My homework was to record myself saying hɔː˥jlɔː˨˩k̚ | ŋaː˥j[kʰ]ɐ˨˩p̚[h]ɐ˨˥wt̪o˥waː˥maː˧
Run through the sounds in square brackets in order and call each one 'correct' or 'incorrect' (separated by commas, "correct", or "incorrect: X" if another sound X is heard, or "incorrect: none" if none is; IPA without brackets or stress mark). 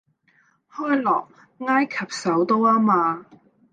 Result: correct, incorrect: s